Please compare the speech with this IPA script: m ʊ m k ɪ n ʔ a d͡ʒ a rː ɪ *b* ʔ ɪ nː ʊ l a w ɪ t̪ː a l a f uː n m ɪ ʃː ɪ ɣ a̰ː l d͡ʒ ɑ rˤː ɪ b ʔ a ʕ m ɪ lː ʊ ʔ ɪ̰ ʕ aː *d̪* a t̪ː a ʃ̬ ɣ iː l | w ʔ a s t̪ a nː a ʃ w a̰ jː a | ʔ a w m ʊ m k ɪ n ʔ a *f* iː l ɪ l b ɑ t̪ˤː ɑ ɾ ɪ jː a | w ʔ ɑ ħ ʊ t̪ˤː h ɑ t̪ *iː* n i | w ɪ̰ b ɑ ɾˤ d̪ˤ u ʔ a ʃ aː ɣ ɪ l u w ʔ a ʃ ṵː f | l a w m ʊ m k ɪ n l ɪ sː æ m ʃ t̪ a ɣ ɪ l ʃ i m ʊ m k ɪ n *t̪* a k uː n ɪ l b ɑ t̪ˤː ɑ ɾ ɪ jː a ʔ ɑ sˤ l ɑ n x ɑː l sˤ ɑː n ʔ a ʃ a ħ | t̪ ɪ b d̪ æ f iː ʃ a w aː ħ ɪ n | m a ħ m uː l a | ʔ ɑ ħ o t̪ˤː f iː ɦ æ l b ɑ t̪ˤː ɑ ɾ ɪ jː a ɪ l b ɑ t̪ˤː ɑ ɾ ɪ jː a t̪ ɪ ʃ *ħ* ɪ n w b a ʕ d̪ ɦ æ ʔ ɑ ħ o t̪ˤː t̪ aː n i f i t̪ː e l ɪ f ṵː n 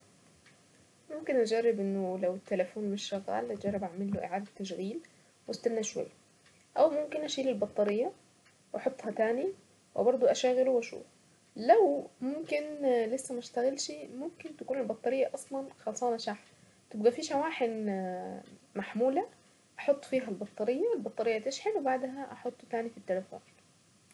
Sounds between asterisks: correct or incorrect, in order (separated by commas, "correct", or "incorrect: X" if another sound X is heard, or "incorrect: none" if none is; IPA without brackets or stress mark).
correct, correct, incorrect: ʃ, incorrect: aː, correct, correct